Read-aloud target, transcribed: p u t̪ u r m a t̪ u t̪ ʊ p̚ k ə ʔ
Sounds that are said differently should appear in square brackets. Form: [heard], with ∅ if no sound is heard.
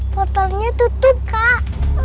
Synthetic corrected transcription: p [ɔ] t̪ [ɔ] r [ɲ] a t̪ u t̪ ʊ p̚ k [a] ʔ